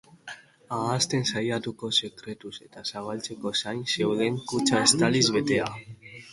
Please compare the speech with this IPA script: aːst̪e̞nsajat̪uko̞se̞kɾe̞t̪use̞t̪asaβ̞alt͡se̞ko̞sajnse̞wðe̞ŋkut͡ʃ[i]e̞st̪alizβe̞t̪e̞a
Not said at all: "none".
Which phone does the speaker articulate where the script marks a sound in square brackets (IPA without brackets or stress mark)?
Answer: a